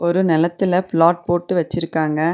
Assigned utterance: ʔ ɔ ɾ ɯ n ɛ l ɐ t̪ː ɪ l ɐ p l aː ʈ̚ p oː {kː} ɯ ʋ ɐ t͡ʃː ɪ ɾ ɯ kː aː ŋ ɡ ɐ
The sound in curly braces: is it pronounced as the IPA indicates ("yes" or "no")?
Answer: no